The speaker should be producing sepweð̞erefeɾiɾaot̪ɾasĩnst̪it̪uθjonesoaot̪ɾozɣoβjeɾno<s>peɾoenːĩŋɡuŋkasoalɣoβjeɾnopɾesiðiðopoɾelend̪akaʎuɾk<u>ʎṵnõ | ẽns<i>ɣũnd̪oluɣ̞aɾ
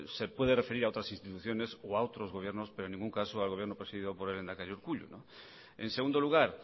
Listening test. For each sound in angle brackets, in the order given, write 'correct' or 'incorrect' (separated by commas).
correct, correct, incorrect